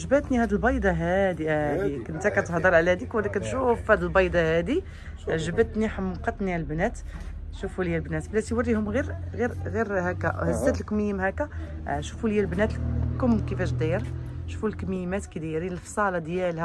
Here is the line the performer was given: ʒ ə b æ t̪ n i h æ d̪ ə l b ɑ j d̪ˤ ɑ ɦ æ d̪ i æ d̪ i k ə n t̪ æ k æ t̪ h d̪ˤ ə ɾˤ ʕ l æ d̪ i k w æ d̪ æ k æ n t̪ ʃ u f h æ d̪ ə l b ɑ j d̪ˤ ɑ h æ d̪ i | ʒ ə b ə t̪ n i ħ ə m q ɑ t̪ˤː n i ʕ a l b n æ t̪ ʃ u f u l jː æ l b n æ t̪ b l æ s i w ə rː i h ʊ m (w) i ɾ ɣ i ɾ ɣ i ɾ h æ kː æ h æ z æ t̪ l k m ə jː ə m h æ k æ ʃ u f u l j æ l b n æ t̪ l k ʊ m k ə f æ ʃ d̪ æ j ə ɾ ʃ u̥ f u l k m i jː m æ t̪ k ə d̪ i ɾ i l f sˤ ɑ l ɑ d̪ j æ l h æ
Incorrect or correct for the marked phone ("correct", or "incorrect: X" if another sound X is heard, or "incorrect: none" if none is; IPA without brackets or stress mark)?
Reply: incorrect: ɣ